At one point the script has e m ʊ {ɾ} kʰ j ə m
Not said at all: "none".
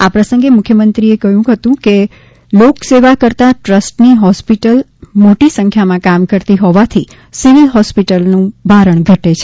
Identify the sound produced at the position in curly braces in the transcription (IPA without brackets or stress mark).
none